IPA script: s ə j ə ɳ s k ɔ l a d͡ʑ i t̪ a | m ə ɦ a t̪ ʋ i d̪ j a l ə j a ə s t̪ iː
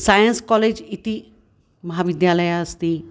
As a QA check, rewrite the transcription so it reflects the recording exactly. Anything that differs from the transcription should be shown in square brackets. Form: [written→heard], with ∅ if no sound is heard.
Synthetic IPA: s [ə→a] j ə [ɳ→n] s k ɔ l [a→e] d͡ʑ i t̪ [a→i] | m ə ɦ a [t̪→∅] ʋ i d̪ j a l ə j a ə s t̪ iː